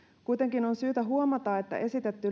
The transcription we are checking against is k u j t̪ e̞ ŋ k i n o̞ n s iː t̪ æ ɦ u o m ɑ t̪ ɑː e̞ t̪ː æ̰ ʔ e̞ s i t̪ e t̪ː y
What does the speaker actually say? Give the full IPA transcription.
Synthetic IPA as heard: k u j t̪ e̞ ŋ k i n o̞ n s yː t̪ æ ɦ u o m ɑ t̪ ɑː e̞ t̪ː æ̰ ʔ e̞ s i t̪ e t̪ː y